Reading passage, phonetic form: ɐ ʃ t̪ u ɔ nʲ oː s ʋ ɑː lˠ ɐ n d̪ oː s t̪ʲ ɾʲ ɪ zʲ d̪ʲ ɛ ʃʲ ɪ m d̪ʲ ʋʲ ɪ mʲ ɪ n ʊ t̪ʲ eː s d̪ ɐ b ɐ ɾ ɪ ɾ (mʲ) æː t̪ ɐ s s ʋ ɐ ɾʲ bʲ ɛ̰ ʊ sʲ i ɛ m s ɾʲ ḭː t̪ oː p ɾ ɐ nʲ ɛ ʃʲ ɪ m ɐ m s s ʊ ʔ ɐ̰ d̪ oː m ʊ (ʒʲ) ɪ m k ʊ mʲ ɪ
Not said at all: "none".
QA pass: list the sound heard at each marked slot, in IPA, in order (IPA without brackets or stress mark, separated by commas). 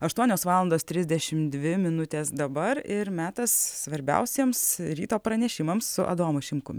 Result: mʲ, ʃʲ